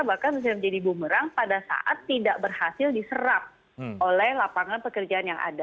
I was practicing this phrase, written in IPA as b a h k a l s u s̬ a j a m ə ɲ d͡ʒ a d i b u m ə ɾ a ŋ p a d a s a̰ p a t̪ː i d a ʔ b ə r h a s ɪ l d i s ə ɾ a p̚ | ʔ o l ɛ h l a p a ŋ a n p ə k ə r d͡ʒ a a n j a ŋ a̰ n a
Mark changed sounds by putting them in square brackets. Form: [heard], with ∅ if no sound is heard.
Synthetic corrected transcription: b a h k a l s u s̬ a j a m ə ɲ d͡ʒ a d i b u m ə ɾ a ŋ p a d a s a̰ [ʔ] a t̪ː i d a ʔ b ə r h a s ɪ l d i s ə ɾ a p̚ | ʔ o l ɛ h l a p a ŋ a n p ə k ə r d͡ʒ a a n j a ŋ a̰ [d] a